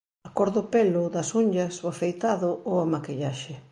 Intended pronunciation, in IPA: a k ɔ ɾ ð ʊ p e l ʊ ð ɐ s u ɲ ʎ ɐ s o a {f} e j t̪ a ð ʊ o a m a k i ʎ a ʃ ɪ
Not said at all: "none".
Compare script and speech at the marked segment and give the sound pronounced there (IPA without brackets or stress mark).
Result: f